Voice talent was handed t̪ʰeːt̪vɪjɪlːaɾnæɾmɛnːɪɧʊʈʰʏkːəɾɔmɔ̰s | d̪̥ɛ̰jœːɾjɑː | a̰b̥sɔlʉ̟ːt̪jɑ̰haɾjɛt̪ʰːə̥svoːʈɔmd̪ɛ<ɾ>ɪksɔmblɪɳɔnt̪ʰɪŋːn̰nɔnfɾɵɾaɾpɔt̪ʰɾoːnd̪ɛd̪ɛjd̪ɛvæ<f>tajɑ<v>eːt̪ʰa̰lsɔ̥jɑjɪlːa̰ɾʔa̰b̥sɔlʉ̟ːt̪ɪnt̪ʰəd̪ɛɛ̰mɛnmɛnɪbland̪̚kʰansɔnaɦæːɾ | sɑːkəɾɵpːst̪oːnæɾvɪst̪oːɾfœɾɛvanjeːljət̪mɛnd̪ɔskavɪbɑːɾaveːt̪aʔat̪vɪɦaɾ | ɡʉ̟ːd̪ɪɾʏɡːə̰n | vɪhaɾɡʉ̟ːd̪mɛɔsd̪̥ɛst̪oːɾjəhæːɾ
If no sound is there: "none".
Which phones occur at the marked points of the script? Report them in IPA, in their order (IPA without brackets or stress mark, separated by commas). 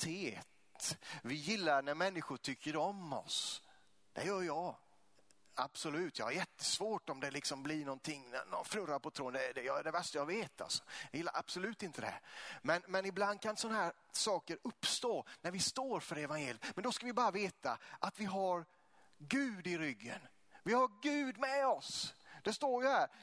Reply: l, ʂ, v